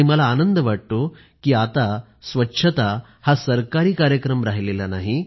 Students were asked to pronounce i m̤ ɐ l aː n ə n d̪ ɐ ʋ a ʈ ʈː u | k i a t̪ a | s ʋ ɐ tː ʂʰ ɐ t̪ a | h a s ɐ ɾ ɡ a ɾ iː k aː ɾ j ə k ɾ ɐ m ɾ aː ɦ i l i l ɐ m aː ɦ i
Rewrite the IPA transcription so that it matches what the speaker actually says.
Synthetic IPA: i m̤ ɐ l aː n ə n d̪ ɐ ʋ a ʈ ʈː u | k i a t̪ a | s ʋ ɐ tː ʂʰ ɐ t̪ a | h a s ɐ ɾ k a ɾ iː k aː ɾ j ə k ɾ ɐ m ɾ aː ɦ i l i l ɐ n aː ɦ i